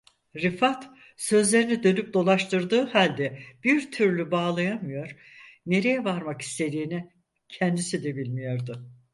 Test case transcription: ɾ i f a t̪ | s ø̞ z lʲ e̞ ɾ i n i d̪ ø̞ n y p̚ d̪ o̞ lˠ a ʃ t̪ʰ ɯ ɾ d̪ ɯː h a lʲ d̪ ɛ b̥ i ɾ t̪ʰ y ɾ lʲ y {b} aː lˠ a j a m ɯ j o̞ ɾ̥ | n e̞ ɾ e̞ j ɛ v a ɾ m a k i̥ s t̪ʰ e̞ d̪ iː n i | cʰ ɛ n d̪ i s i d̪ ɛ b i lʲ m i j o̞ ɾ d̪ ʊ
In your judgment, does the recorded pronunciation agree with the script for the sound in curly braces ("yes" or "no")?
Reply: yes